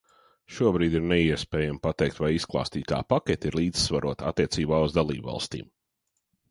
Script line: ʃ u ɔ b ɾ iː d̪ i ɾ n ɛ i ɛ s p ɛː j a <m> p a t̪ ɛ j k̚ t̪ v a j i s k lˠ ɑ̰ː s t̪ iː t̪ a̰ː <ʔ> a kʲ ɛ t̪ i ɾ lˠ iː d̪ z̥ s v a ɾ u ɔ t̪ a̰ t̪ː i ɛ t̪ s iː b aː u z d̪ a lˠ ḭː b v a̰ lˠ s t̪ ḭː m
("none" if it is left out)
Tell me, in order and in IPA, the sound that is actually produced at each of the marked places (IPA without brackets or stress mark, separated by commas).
m, p